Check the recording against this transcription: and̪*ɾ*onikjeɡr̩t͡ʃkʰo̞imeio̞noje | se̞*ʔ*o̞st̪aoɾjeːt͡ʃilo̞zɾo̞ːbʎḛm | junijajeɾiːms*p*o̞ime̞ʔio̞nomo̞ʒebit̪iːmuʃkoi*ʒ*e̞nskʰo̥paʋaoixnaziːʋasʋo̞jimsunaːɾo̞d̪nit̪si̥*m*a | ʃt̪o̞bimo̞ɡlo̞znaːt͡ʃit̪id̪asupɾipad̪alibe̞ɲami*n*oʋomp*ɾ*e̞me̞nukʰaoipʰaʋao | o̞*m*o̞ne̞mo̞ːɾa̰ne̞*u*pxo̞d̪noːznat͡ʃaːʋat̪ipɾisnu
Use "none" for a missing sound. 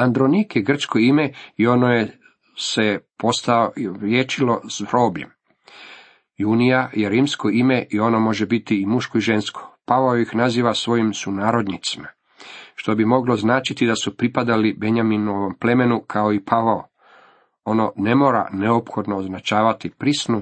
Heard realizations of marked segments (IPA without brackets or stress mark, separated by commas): ɾ, p, k, ʒ, m, n, l, n, o